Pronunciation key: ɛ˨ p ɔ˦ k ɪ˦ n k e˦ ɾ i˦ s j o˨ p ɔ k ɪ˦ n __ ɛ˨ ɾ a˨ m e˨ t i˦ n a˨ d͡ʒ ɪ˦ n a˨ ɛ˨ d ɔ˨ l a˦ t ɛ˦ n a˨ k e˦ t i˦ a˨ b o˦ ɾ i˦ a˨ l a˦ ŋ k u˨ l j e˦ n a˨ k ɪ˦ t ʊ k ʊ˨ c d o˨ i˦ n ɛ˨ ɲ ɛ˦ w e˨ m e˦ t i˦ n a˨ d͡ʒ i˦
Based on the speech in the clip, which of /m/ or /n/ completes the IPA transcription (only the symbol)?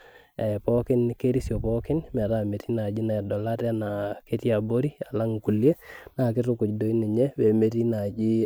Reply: m